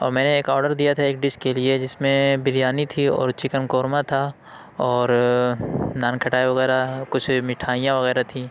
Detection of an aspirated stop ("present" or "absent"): present